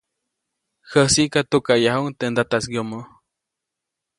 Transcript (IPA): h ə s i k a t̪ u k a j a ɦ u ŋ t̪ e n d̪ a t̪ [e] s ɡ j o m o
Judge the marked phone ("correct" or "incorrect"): incorrect